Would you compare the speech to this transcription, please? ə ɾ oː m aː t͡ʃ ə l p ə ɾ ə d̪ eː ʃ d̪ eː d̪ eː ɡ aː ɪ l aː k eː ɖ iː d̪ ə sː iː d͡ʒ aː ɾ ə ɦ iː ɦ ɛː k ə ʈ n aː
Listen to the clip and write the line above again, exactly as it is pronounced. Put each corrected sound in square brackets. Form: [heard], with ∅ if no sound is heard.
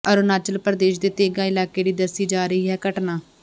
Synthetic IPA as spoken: ə ɾ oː [n] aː t͡ʃ ə l p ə ɾ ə d̪ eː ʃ d̪ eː [t̪] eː ɡ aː ɪ l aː k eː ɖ iː d̪ ə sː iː d͡ʒ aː ɾ ə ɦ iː ɦ ɛː k ə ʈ n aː